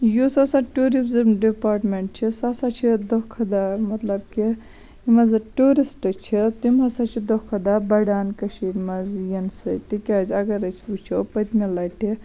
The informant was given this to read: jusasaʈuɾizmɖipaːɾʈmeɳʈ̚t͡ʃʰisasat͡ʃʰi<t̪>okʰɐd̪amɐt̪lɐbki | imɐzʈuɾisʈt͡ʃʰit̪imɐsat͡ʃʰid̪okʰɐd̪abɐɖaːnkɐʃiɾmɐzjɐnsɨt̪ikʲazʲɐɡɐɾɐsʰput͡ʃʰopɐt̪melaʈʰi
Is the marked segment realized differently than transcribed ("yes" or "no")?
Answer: yes